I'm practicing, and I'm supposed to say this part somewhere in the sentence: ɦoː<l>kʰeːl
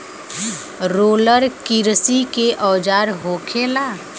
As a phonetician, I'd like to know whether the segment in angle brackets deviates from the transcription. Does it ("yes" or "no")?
yes